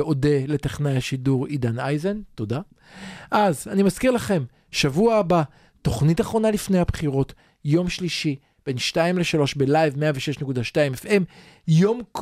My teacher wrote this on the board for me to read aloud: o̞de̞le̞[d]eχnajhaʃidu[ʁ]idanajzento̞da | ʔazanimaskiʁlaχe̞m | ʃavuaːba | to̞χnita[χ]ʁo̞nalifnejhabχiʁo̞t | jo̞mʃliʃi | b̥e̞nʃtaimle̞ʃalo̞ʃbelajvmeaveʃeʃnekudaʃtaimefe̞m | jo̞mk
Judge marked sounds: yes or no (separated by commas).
no, yes, yes